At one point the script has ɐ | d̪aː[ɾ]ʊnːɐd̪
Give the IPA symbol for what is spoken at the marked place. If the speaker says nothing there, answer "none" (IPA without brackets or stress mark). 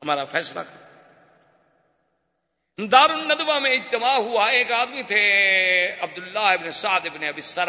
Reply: ɾ